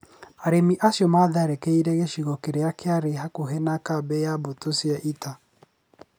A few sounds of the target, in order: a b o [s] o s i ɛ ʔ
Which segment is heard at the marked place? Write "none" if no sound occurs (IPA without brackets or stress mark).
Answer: t